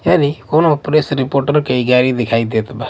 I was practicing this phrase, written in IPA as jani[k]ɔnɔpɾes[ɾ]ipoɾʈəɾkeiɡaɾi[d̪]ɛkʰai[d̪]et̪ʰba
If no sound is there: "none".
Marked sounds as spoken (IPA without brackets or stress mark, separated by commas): k, ɾ, d̪, d̪